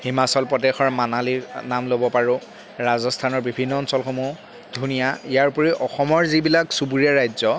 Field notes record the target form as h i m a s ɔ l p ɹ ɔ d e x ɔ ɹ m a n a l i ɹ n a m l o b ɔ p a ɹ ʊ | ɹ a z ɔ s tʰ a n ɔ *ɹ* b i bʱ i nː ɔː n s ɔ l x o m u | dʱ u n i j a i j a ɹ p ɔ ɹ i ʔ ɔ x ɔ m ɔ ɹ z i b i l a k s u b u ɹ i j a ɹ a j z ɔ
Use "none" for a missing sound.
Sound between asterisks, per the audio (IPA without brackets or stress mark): ɹ